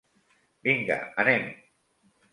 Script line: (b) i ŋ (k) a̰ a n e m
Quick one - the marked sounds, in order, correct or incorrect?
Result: correct, incorrect

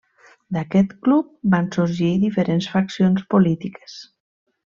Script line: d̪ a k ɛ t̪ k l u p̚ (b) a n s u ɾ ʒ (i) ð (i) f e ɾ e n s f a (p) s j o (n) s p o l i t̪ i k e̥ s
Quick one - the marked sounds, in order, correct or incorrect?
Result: correct, correct, correct, incorrect, correct

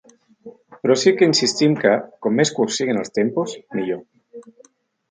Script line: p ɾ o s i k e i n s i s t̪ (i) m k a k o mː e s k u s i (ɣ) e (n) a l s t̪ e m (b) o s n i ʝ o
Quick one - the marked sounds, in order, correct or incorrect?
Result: correct, correct, correct, incorrect

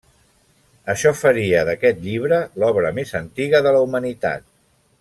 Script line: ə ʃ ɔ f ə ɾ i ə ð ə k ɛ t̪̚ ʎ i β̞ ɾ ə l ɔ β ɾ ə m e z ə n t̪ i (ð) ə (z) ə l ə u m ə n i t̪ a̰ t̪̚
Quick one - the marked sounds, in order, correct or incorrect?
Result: incorrect, incorrect

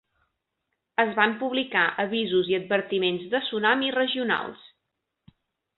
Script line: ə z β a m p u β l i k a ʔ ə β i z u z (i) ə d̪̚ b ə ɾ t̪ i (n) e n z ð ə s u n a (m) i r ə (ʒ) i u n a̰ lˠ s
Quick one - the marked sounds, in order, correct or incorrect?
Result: correct, incorrect, correct, correct

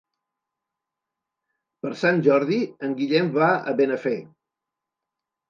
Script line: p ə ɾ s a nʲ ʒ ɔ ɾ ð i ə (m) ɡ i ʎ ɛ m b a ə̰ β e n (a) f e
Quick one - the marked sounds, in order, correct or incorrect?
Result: incorrect, incorrect

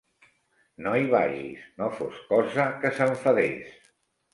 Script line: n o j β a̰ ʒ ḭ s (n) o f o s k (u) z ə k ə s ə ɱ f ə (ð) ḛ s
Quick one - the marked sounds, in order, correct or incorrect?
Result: correct, incorrect, correct

